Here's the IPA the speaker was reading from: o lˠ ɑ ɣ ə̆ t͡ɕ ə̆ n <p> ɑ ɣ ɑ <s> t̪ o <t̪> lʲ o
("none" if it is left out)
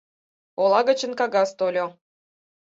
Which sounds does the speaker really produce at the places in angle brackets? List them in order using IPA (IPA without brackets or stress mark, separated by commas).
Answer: k, s, none